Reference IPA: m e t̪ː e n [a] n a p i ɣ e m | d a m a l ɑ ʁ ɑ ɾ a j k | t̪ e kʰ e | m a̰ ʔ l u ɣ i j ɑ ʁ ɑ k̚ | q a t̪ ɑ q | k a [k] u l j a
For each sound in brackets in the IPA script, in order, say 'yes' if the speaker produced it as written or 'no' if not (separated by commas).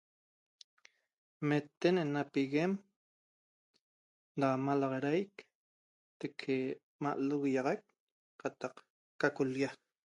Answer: no, yes